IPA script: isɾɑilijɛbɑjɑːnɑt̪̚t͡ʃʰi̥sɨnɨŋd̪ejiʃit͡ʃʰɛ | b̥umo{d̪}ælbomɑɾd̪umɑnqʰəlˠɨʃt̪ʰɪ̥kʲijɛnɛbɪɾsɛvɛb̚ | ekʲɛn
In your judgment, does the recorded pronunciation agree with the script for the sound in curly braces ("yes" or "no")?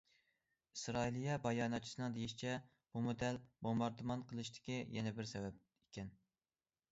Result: yes